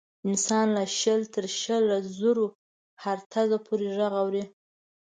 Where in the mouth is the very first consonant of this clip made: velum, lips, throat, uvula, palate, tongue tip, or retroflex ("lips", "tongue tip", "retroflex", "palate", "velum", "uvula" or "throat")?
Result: tongue tip